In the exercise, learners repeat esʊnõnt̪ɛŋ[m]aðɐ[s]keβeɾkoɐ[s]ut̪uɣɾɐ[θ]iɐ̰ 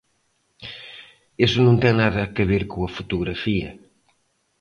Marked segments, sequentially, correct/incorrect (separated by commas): incorrect, incorrect, incorrect, incorrect